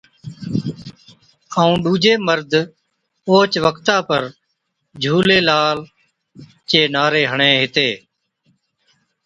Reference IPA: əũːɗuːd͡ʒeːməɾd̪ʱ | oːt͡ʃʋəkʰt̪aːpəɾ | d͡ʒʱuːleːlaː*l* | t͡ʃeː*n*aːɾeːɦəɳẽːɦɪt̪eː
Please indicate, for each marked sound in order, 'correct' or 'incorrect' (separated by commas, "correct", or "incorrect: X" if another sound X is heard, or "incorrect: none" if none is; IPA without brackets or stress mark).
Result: correct, correct